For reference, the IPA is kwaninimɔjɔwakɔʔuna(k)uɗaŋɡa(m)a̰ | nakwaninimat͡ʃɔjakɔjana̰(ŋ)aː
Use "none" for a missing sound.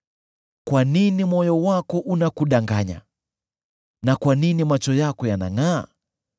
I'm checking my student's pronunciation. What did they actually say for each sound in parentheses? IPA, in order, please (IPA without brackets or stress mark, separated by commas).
k, ɲ, ŋ